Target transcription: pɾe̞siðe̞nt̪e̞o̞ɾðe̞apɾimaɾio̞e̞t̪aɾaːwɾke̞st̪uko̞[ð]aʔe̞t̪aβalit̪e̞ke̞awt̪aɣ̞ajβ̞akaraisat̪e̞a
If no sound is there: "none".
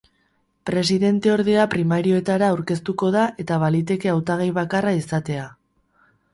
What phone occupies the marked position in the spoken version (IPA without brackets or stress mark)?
ð